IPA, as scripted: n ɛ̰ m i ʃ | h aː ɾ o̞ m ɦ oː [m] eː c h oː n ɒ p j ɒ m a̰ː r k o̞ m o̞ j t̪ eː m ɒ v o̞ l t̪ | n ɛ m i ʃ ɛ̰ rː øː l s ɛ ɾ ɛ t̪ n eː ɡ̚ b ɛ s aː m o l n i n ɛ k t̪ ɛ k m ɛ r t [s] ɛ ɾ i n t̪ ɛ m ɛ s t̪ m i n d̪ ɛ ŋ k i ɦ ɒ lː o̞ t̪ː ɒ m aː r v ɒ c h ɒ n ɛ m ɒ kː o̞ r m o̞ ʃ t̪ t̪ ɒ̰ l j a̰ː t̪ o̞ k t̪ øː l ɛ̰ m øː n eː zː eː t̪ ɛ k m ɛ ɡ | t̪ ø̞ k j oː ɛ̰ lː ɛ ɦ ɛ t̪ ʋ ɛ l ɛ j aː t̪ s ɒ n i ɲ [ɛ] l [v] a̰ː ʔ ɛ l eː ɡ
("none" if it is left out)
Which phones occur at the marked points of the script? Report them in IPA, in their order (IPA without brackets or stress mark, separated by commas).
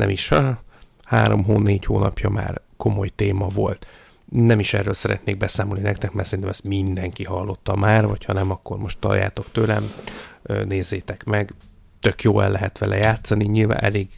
n, s, i, v